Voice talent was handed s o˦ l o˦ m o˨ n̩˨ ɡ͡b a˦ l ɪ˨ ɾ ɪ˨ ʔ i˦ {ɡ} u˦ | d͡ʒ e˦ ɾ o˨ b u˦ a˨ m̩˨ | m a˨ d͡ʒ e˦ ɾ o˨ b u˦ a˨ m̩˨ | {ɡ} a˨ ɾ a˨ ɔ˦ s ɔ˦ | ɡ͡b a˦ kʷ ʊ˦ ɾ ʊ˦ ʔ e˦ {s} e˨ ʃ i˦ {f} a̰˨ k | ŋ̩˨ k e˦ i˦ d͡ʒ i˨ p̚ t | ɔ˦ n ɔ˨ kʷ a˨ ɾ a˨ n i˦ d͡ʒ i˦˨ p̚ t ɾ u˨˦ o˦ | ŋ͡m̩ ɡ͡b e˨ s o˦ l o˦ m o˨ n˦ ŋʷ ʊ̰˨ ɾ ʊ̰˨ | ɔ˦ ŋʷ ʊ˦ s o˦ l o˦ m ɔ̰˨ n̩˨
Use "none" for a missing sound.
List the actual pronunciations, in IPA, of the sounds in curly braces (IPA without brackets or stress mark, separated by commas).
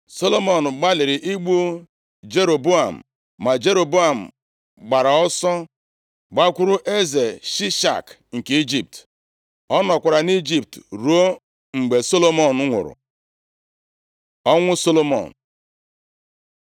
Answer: ɡ͡b, ɡ͡b, z, ʃ